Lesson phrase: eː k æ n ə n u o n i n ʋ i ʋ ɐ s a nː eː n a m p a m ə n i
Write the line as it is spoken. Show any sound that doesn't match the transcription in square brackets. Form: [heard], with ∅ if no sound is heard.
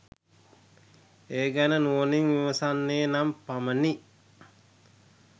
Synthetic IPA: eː [ɡ] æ n ə n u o n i [ŋ] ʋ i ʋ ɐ s a nː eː n a m p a m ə n i